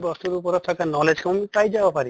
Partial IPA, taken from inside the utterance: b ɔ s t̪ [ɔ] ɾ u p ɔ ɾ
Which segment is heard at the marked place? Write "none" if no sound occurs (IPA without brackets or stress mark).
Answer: u